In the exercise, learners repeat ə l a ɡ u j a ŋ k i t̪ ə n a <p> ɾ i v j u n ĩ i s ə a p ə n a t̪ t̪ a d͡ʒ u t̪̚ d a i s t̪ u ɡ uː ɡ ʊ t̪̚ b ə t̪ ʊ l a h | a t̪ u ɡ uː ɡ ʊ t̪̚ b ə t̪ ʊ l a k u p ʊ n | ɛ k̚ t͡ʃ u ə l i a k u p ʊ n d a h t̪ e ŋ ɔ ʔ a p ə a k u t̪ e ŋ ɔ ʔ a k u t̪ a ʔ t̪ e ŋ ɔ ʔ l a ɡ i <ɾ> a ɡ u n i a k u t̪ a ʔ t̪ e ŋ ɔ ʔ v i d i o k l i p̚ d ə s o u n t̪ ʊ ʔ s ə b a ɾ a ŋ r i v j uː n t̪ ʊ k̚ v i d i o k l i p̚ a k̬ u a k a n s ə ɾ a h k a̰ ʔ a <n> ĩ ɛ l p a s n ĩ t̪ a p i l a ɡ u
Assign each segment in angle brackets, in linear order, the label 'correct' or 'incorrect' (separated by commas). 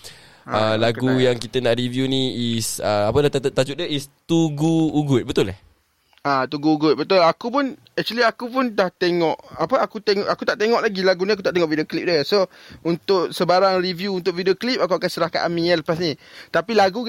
incorrect, incorrect, incorrect